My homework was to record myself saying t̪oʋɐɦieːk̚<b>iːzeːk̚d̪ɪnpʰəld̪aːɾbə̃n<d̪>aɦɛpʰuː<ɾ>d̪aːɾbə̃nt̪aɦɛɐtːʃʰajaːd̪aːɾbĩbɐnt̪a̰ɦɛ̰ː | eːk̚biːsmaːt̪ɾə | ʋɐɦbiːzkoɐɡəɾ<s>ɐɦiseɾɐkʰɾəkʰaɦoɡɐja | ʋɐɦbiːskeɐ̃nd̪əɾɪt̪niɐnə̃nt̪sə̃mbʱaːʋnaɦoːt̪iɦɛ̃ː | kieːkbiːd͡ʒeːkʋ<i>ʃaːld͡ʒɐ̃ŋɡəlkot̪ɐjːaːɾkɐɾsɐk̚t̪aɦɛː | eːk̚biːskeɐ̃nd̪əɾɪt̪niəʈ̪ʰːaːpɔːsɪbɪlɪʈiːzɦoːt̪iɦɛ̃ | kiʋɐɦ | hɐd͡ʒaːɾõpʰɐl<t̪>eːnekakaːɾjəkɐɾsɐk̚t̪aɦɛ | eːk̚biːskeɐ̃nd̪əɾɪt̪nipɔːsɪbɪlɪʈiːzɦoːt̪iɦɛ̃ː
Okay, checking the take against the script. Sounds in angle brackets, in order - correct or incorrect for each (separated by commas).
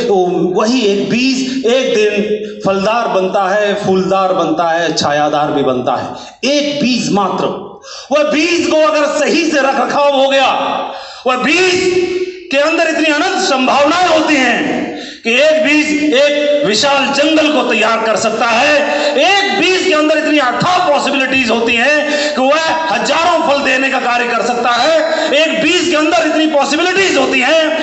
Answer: correct, incorrect, incorrect, correct, incorrect, incorrect